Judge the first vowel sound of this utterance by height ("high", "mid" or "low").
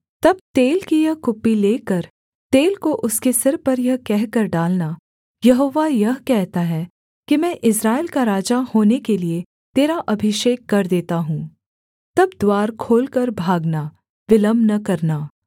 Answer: low